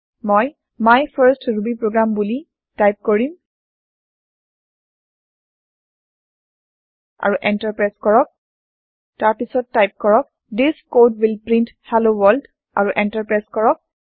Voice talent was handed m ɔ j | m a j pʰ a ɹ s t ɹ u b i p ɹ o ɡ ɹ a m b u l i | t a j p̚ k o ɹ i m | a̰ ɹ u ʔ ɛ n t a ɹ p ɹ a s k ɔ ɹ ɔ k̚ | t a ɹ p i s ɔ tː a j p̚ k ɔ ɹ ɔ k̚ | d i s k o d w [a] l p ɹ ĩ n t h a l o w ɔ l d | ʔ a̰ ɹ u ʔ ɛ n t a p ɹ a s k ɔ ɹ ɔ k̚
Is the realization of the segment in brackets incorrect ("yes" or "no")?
yes